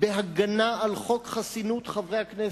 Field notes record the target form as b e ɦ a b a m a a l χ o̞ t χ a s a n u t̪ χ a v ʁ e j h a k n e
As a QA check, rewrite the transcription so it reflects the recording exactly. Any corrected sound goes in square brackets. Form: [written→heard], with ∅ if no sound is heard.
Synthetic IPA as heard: b e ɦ a [b→ɡ] a [m→n] a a l χ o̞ [t→k] χ a s [a→i] n u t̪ χ a v ʁ e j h a k n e